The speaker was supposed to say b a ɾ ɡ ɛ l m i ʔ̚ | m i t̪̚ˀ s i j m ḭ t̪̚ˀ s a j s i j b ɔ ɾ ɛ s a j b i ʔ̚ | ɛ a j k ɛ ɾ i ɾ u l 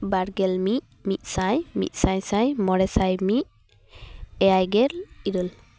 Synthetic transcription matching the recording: b a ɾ ɡ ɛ l m i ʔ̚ | m i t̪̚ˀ s a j m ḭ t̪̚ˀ s a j s a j m ɔ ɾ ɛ s a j m i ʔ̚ | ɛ a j ɡ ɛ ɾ i ɾ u l